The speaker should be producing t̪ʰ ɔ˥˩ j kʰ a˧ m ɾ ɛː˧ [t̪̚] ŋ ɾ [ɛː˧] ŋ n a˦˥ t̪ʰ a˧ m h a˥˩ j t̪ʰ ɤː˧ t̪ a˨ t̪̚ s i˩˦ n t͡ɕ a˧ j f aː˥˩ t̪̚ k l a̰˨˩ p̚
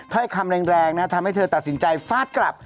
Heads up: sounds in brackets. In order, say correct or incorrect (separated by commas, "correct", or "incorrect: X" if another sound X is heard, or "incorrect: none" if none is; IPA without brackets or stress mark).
incorrect: none, correct